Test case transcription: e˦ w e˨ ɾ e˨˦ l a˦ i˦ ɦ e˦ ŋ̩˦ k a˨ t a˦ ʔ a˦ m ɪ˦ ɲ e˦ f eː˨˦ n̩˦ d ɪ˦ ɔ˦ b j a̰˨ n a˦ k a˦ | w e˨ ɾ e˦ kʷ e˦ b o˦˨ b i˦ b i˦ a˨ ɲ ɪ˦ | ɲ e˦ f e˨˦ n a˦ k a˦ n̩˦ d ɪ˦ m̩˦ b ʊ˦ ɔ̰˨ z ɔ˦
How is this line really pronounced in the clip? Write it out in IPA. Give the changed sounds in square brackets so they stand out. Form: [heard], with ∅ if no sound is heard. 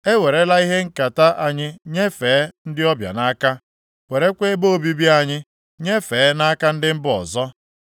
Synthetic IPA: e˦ w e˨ ɾ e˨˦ l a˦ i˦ ɦ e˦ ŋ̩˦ k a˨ t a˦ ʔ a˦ [ɲ] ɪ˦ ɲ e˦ f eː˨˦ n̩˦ d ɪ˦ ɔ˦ b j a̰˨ n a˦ k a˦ | w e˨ ɾ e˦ kʷ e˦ b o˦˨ b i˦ b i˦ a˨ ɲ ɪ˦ | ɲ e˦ f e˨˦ n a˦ k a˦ n̩˦ d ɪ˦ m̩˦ b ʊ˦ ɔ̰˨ z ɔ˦